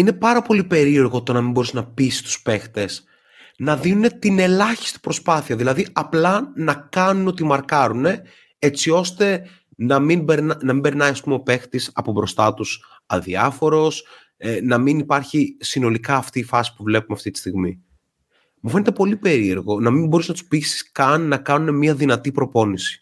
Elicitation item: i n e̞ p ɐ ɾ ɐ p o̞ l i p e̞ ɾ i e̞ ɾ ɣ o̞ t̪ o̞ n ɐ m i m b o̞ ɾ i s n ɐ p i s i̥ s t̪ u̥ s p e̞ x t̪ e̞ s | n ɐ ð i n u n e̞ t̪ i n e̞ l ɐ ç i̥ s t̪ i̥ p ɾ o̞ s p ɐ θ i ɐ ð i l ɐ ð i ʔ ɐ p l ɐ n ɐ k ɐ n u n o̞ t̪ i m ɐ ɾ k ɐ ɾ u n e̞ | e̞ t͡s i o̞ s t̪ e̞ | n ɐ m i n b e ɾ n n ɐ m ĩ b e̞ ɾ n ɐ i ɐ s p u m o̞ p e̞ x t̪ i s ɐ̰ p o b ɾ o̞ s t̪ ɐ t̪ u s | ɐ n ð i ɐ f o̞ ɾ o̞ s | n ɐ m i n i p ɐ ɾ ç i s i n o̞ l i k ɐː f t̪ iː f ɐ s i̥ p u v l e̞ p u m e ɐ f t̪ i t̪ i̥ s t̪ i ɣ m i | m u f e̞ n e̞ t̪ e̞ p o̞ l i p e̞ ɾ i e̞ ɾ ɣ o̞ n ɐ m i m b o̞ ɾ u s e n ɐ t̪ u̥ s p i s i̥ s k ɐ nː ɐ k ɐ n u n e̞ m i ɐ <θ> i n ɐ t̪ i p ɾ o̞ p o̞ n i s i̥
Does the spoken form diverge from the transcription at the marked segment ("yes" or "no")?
yes